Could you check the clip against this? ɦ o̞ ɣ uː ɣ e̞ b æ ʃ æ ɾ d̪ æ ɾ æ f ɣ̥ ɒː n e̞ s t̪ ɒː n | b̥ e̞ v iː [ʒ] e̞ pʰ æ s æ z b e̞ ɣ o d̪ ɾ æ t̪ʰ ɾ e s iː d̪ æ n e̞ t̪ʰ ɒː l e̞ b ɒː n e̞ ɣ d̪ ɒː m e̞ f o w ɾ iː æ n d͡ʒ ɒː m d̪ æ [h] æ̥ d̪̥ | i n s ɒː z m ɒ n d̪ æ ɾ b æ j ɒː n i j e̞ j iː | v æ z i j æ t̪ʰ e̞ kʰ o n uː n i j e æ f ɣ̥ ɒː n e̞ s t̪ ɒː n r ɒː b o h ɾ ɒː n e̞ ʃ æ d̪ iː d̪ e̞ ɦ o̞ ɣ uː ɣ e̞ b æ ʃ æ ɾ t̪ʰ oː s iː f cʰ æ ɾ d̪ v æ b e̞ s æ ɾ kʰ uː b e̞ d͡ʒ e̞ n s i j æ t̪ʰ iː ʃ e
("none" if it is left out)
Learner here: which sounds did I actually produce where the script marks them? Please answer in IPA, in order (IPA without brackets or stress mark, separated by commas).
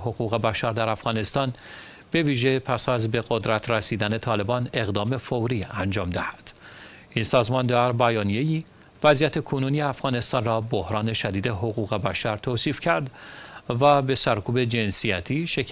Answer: ʒ, h